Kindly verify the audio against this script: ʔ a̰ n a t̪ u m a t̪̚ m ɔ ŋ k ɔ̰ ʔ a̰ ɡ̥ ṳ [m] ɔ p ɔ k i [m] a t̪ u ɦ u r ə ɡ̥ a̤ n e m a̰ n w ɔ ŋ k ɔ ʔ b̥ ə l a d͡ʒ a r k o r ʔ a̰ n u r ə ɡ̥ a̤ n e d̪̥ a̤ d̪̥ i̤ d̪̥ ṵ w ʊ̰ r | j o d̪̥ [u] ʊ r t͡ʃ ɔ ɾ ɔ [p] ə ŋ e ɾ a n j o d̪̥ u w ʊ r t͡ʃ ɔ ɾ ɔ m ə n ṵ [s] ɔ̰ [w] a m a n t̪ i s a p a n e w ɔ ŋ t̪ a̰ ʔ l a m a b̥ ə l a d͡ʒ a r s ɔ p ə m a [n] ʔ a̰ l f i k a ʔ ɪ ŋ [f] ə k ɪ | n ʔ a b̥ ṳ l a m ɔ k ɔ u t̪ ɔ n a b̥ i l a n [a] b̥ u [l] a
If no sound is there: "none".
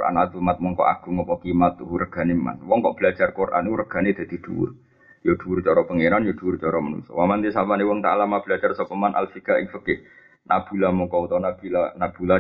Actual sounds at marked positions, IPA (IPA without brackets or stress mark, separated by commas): ŋ, m, u, p, s, w, n, f, a, l